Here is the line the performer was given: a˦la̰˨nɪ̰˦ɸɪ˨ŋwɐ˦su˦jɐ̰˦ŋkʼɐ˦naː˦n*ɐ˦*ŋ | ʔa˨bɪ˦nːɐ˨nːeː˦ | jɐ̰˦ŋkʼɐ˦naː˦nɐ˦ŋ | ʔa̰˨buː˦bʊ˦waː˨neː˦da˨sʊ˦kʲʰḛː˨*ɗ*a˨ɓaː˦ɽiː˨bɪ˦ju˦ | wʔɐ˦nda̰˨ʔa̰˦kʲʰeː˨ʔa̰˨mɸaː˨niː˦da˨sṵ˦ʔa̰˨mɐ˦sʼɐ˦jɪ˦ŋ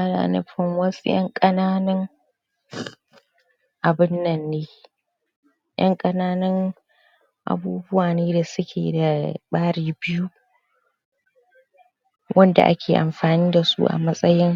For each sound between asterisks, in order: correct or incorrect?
correct, incorrect: d

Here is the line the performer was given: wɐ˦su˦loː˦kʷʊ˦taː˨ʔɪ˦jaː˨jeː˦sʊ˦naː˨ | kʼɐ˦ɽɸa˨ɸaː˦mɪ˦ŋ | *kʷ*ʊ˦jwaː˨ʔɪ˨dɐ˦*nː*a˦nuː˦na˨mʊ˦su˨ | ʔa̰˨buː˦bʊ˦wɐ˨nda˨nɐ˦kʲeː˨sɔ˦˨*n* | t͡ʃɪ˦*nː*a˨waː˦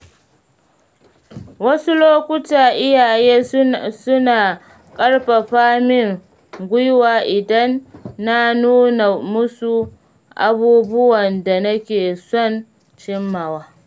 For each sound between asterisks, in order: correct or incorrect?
incorrect: ɡʷ, correct, correct, incorrect: mː

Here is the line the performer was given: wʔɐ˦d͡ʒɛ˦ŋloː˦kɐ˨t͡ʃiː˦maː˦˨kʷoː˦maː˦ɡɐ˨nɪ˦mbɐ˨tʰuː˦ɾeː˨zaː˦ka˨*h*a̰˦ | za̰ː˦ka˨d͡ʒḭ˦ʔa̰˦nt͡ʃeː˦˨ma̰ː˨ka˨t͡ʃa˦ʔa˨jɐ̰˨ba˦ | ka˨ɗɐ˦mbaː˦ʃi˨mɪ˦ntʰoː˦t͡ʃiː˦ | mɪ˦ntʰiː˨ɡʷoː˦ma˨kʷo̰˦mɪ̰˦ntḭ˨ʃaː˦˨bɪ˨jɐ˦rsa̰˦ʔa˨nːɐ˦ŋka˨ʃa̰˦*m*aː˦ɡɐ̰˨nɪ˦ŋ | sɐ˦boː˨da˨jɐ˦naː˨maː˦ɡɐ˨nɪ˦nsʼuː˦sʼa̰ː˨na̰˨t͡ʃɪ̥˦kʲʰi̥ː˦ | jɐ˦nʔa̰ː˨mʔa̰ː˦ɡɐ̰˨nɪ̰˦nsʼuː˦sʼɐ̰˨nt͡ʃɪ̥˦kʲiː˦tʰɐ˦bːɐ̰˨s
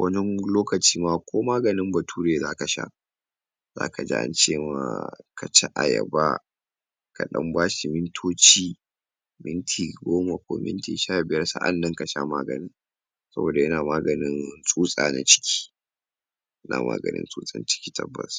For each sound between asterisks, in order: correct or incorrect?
incorrect: ʃ, correct

